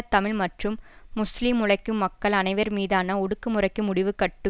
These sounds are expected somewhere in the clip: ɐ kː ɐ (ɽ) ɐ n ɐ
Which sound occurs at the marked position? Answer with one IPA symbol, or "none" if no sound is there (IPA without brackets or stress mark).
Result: ɭ